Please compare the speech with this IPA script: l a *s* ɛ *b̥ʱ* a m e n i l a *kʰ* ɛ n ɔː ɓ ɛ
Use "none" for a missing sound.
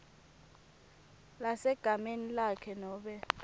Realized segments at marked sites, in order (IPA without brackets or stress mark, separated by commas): s, ɡ̥ʱ, kʰ